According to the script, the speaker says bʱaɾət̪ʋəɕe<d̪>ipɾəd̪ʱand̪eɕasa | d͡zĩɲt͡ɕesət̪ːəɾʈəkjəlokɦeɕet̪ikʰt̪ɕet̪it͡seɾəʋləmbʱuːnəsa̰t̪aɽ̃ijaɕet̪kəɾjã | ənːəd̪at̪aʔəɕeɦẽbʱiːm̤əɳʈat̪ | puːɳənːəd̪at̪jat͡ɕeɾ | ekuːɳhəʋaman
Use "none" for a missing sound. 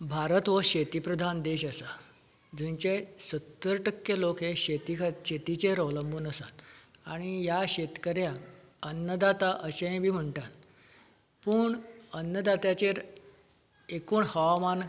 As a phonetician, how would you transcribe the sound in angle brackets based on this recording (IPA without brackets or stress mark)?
t̪